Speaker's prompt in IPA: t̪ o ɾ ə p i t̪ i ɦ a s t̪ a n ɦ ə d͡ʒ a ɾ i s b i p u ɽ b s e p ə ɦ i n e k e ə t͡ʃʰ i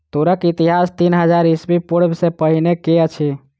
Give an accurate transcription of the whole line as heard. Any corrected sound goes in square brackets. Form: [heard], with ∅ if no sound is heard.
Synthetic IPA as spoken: t̪ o ɾ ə [k] i t̪ i ɦ a s t̪ [i] n ɦ ə d͡ʒ a ɾ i s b i p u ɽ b s e p ə ɦ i n e k e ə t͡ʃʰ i

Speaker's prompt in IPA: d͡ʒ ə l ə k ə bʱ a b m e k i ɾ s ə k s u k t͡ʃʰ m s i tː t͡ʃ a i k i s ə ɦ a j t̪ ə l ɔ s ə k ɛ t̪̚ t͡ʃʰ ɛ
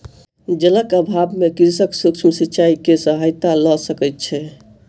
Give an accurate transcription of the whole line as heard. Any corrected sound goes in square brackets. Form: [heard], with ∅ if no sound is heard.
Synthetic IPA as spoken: d͡ʒ ə l ə k ə bʱ a b m e k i ɾ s ə k s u k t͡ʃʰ m s i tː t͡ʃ a i k [e] s ə ɦ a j t̪ [a] l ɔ s ə k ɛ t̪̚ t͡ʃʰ ɛ

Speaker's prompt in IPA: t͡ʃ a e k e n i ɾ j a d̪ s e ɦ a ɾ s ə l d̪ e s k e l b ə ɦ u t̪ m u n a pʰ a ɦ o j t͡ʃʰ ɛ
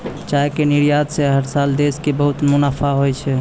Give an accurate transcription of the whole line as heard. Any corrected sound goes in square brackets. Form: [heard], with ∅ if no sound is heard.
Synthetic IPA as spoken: t͡ʃ a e k e n i ɾ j a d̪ s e ɦ [ə] ɾ s [a] l d̪ e s k e [∅] b ə ɦ u t̪ m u n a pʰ a ɦ o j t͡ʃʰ ɛ

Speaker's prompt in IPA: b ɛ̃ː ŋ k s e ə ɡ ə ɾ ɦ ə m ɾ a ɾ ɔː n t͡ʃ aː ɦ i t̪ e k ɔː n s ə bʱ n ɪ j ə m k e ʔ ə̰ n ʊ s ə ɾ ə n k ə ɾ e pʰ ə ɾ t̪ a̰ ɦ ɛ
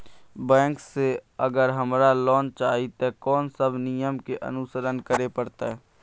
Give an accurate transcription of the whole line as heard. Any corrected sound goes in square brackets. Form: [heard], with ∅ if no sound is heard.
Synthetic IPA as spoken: b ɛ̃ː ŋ k s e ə ɡ ə ɾ ɦ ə m ɾ a [l] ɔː n t͡ʃ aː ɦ i t̪ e k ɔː n s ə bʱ n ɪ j ə m k e ʔ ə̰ n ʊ s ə ɾ ə n k ə ɾ e [p] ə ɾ t̪ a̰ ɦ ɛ

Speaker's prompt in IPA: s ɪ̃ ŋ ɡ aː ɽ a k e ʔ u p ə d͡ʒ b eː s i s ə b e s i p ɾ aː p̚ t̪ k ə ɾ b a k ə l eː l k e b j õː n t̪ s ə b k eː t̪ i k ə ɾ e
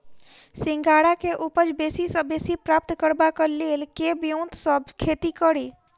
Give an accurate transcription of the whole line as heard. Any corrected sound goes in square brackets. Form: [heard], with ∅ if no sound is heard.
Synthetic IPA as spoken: s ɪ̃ ŋ ɡ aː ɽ a k e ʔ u p ə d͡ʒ b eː s i s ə b e s i p ɾ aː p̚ t̪ k ə ɾ b a k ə l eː l k e b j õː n t̪ s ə b [kʰ] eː t̪ i k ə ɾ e

